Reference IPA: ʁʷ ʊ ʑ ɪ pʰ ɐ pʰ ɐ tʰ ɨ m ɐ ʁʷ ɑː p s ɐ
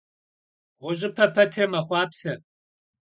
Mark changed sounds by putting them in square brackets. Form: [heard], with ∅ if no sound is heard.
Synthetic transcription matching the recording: ʁʷ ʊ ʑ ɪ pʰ ɐ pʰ ɐ tʰ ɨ m ɐ [χʷ] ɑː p s ɐ